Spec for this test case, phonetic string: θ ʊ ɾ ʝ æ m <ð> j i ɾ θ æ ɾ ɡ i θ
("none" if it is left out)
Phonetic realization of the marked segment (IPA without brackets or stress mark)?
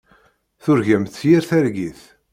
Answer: θ